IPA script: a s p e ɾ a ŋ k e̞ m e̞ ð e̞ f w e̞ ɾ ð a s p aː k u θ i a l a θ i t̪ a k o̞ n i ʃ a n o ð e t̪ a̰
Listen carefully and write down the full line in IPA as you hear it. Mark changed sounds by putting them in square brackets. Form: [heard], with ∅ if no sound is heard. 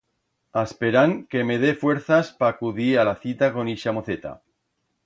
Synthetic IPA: a s p e ɾ a ŋ k e̞ m e̞ ð e̞ f w e̞ ɾ [θ] a s p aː k u [ð] i a l a θ i t̪ a k o̞ n i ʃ a [m] o [θ] e t̪ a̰

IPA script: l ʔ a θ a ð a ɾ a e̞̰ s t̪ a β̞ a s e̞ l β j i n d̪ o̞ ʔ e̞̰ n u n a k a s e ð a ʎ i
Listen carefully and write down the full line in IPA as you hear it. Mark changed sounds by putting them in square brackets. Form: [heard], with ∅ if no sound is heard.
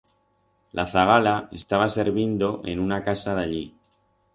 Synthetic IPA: l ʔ a θ a [ɣ] a [l] a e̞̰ s t̪ a β̞ a s e̞ [ɾ] β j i n d̪ o̞ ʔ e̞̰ n u n a k a s [a] ð a ʎ i

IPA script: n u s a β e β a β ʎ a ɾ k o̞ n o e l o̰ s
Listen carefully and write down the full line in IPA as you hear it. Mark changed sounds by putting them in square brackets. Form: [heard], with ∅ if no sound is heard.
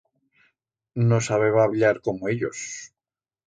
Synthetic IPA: n [o] s a β e β a β ʎ a ɾ k o̞ [m] o e [ʎ] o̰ s

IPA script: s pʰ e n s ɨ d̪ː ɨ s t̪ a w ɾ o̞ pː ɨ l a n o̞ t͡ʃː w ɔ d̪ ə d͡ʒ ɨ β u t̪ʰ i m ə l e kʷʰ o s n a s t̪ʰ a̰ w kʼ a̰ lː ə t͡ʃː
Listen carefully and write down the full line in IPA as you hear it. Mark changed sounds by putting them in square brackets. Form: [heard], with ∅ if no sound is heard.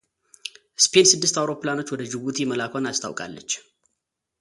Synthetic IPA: s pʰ e n s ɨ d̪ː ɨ s t̪ a w ɾ o̞ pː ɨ l a n o̞ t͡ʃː w ɔ d̪ ə d͡ʒ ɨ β u t̪ʰ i m ə l [a] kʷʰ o [∅] n a s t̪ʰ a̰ w kʼ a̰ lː ə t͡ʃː

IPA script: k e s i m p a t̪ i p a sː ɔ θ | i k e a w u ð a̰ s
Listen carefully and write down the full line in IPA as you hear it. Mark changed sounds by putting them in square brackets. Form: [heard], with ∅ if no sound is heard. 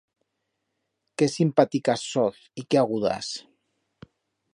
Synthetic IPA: k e s i m p a t̪ i [k] a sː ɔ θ | i k e a [ɣ] u ð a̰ s

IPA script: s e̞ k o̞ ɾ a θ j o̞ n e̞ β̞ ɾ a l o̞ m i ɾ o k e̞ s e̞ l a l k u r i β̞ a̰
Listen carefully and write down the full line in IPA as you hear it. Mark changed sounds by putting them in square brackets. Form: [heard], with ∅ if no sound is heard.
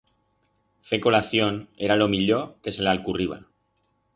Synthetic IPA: [f] e̞ k o̞ [l] a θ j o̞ n e̞ [∅] ɾ a l o̞ m i [ʎ] o k e̞ s e̞ l a l k u r i β̞ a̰

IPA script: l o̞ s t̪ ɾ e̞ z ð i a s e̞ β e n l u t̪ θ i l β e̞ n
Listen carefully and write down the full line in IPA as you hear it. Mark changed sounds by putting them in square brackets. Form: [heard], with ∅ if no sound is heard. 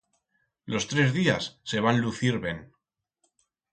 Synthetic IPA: l o̞ s t̪ ɾ e̞ z ð i a [sː] e̞ β [a] n l u [∅] θ i [ɾ] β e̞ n

